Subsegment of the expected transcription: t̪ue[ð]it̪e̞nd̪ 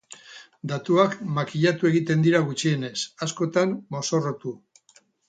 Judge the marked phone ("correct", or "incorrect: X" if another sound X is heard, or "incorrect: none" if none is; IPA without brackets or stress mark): incorrect: ɣ